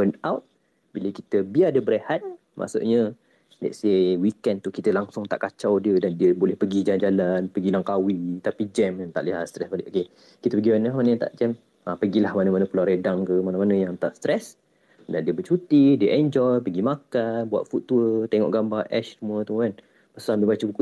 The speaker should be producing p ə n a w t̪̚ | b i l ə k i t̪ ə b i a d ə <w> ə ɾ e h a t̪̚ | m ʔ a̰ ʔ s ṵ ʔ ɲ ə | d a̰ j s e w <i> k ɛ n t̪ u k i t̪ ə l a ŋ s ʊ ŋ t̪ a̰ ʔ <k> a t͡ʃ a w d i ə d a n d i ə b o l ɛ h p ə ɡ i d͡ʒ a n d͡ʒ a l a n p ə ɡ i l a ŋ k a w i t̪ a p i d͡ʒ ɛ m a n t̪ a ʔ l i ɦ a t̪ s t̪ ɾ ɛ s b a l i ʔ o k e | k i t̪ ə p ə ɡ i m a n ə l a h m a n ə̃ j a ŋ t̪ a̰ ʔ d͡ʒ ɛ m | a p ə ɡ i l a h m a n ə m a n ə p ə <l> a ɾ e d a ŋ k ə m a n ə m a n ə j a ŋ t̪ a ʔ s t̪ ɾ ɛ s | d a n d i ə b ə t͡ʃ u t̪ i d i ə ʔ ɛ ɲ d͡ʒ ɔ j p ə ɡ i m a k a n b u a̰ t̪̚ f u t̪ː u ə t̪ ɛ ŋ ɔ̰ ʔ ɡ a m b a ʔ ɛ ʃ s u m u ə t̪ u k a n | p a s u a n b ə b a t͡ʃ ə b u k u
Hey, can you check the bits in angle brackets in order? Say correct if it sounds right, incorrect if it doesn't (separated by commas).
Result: incorrect, correct, correct, correct